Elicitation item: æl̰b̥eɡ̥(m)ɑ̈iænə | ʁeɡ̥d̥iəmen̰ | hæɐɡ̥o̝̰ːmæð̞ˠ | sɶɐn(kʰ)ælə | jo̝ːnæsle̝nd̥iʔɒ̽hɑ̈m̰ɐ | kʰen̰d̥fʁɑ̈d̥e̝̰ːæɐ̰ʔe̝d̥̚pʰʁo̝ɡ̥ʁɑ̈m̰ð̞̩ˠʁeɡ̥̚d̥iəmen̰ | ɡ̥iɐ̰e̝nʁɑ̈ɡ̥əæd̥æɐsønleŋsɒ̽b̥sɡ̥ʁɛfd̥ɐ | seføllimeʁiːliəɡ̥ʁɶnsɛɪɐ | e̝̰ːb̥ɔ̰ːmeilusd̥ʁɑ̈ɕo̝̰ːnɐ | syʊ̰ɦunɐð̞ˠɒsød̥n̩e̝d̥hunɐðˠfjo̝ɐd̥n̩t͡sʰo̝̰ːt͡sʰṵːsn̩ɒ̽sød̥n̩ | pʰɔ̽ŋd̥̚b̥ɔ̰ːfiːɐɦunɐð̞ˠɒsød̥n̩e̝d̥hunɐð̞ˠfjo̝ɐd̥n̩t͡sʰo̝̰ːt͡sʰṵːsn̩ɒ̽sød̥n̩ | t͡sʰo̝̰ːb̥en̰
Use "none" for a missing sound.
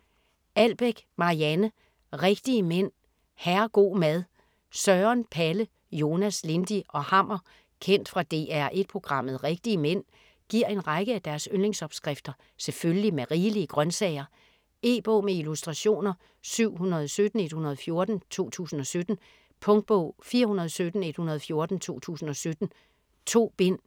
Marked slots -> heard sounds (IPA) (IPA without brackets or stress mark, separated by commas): m, pʰ